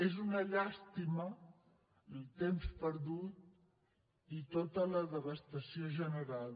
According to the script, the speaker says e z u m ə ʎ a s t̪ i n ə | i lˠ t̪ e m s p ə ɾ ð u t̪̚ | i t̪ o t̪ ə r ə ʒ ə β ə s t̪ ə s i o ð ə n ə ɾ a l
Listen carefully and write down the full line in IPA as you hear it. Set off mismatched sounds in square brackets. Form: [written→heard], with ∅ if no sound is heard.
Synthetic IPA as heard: e z u [m→n] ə ʎ a s t̪ i [n→m] ə | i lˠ t̪ e m s p ə ɾ ð u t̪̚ | i t̪ o t̪ ə [r→l] ə [ʒ→ð] ə β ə s t̪ ə s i o [ð→ʒ] ə n ə ɾ a l